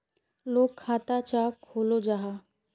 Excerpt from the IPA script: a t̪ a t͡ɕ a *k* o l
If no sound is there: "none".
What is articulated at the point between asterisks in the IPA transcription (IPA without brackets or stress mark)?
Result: kʰ